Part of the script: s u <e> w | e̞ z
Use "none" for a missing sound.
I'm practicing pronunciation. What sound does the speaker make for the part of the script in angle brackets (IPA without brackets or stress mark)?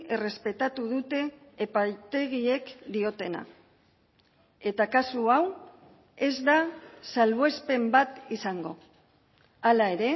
a